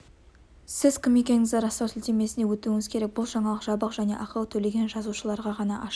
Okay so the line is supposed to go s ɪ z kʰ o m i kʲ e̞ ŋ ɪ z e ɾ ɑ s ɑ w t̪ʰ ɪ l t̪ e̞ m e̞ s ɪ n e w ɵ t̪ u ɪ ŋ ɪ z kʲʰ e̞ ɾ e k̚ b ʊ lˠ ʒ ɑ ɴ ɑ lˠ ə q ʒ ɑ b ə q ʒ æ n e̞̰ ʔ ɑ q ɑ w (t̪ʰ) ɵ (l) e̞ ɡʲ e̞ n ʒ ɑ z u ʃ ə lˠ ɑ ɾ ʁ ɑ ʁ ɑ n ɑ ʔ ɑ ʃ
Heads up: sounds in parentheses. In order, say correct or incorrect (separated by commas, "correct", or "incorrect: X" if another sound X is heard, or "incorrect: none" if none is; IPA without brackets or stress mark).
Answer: correct, correct